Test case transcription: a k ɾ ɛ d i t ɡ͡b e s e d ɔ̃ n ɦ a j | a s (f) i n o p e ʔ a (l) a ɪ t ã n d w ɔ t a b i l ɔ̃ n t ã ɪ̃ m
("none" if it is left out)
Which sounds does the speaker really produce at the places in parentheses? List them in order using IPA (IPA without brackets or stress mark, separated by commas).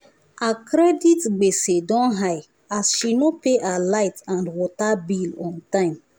ʃ, l